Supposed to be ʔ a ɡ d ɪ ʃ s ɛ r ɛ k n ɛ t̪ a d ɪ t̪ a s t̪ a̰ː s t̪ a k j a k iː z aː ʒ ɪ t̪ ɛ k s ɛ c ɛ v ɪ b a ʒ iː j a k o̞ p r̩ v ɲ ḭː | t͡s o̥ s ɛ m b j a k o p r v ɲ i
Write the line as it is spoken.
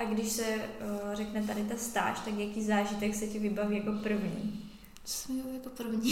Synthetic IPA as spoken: ʔ a ɡ d ɪ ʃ s ɛ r ɛ k n ɛ t̪ a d ɪ t̪ a s t̪ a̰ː ʃ t̪ a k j a k iː z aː ʒ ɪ t̪ ɛ k s ɛ c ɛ v ɪ b a v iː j a k o̞ p r̩ v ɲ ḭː | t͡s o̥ s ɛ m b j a k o p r v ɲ i